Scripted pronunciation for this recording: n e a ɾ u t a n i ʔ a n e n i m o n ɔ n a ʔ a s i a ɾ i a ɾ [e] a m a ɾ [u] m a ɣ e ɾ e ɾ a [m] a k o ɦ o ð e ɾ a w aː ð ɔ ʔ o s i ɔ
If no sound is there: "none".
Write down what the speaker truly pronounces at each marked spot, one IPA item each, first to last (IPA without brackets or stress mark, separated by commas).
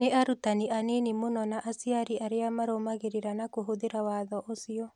e, o, n